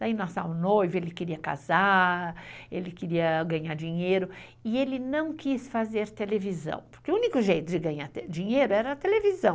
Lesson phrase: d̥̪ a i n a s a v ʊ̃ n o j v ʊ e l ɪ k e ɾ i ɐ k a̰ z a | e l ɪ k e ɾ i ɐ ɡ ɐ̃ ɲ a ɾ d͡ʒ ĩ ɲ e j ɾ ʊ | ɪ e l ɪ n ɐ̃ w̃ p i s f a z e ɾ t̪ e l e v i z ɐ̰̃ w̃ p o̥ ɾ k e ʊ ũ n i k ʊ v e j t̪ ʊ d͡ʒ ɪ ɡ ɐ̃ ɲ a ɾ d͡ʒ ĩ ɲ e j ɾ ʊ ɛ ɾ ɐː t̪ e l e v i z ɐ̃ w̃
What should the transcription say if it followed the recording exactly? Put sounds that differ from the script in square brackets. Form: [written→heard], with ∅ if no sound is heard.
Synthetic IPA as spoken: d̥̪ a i n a s a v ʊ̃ n o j v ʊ e l ɪ k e ɾ i ɐ k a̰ z a | e l ɪ k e ɾ i ɐ ɡ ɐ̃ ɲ a ɾ d͡ʒ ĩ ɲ e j ɾ ʊ | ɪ e l ɪ n ɐ̃ w̃ [p→k] i s f a z e ɾ t̪ e l e v i z ɐ̰̃ w̃ p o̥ ɾ k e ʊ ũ n i k ʊ [v→ʒ] e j t̪ ʊ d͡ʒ ɪ ɡ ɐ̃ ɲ a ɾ d͡ʒ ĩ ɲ e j ɾ ʊ ɛ ɾ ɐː t̪ e l e v i z ɐ̃ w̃